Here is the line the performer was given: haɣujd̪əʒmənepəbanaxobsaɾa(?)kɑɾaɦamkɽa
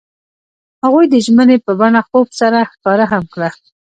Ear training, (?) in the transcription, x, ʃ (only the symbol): x